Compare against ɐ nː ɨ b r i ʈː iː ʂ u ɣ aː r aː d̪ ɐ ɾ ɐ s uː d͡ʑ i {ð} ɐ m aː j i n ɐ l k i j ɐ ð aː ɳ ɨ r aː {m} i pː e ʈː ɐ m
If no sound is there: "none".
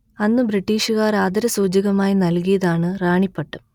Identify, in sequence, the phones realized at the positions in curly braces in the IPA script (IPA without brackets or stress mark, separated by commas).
ɣ, ɳ